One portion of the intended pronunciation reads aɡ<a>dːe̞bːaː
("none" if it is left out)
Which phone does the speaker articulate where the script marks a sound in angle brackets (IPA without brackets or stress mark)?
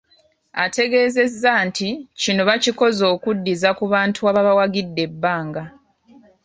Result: i